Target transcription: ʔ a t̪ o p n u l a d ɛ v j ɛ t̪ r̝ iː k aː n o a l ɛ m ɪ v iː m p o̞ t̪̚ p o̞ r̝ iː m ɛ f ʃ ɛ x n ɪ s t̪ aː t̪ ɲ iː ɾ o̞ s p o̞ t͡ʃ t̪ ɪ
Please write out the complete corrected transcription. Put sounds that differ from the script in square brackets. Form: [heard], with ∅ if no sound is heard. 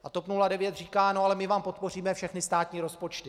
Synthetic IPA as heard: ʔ a t̪ o p n u l a d ɛ v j ɛ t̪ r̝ iː k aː n o a l ɛ m ɪ v [aː] m p o̞ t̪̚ p o̞ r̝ iː m ɛ f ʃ ɛ x n ɪ s t̪ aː t̪ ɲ iː ɾ o̞ s p o̞ t͡ʃ t̪ ɪ